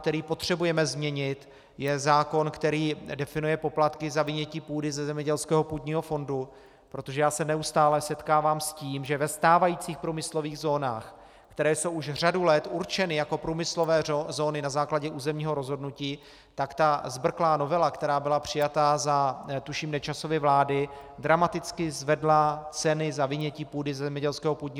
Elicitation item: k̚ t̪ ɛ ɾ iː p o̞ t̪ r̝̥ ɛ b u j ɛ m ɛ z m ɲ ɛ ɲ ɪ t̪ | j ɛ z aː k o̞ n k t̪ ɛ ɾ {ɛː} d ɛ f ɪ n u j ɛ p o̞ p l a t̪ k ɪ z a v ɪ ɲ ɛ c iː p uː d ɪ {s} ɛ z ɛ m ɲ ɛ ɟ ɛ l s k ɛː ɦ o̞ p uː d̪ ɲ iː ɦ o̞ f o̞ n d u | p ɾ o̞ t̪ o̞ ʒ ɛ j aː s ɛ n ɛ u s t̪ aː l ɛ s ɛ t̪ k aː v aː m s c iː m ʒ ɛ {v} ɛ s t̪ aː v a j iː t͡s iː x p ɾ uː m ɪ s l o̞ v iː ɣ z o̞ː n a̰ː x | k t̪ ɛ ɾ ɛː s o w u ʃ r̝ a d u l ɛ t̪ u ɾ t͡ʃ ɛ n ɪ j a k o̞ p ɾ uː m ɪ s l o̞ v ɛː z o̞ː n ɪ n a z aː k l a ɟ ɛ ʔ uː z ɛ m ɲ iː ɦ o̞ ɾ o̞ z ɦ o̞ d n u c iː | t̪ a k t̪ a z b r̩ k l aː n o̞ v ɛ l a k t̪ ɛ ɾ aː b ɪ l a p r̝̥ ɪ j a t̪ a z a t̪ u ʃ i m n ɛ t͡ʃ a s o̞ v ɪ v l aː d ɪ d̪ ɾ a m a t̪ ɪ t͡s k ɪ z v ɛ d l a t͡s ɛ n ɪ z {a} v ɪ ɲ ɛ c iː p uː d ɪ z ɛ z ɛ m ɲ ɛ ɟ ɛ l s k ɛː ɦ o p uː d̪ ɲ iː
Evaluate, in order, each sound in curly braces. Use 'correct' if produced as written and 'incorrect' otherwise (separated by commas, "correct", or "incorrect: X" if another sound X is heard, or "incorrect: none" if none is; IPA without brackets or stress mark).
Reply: incorrect: iː, incorrect: z, correct, correct